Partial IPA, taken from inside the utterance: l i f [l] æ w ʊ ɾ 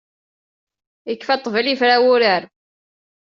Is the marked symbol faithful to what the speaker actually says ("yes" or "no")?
no